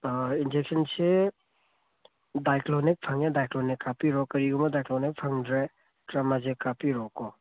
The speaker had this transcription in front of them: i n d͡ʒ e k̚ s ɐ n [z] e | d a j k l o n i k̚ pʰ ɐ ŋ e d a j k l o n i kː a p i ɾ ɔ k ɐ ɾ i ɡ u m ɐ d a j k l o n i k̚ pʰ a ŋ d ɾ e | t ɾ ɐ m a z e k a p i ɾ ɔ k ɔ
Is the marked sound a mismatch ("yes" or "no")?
yes